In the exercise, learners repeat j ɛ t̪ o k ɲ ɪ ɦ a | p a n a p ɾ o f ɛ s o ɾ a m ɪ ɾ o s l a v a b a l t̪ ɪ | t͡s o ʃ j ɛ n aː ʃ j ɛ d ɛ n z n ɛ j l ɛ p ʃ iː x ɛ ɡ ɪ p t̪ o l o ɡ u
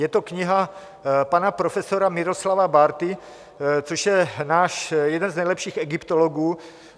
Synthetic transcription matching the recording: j ɛ t̪ o k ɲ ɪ ɦ a | p a n a p ɾ o f ɛ s o ɾ a m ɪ ɾ o s l a v a b a ɾ t̪ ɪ | t͡s o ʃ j ɛ n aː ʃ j ɛ d ɛ n z n ɛ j l ɛ p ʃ iː x ɛ ɡ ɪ p t̪ o l o ɡ uː